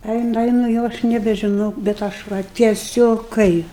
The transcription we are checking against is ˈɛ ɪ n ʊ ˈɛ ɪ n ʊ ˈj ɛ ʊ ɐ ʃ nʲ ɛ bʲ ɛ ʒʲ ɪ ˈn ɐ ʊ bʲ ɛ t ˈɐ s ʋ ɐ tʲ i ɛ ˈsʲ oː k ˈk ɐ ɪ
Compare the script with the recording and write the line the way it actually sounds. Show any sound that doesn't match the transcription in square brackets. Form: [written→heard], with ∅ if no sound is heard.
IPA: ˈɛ ɪ n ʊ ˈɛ ɪ n ʊ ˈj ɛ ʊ ɐ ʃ nʲ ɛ bʲ ɛ ʒʲ ɪ ˈn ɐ ʊ bʲ ɛ t ˈɐ [s→ʃ] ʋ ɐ tʲ i ɛ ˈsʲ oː k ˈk ɐ ɪ